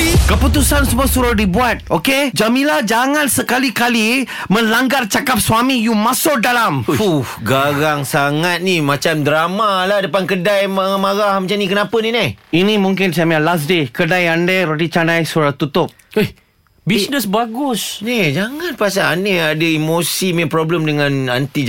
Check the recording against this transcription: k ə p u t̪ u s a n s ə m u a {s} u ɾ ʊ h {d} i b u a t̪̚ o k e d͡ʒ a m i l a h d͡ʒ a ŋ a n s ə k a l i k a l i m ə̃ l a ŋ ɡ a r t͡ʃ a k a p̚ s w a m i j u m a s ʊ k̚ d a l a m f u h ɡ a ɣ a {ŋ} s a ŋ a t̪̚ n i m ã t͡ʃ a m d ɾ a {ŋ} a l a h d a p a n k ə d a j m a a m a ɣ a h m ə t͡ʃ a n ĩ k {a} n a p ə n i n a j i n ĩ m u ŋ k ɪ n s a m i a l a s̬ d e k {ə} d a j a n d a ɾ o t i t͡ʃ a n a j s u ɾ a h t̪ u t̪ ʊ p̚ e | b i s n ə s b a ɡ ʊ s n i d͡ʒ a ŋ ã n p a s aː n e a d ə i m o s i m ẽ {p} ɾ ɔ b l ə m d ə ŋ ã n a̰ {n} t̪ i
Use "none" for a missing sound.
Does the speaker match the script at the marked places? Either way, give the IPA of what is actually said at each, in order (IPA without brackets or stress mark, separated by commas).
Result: s, d, ŋ, m, ə, ə, p, n